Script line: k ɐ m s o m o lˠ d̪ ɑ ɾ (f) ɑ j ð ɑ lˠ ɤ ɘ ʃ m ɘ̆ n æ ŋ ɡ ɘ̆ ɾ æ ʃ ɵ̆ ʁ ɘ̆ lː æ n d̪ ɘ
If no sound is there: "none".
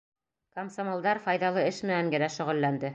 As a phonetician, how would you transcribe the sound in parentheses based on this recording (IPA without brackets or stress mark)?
f